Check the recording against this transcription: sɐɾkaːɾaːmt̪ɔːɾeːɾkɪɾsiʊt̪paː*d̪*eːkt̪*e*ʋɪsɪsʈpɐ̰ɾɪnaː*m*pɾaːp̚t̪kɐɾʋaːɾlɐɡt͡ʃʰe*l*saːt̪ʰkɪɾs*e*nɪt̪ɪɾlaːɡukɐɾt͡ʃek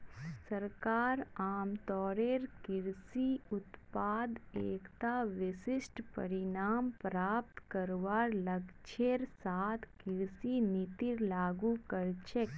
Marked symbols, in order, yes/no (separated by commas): yes, no, yes, no, no